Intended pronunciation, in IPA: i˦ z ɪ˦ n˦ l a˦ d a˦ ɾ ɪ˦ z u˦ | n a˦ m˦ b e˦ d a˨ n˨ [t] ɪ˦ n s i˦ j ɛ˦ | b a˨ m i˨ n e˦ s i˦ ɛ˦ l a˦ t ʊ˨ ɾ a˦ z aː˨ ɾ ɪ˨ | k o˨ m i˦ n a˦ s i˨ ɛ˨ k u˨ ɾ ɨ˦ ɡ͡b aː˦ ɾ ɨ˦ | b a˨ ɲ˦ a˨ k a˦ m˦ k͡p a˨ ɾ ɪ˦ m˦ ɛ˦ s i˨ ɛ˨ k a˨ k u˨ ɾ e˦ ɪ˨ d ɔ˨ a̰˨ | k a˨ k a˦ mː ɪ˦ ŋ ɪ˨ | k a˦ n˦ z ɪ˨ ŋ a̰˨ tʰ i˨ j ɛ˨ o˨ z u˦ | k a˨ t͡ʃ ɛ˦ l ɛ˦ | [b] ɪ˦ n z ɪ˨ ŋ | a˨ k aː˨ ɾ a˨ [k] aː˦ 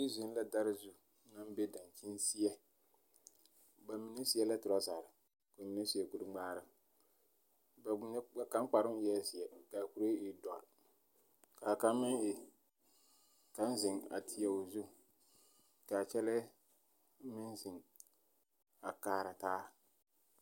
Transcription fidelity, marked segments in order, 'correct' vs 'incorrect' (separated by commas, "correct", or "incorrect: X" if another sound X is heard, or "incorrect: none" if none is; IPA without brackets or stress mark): incorrect: t͡ʃ, incorrect: m, incorrect: t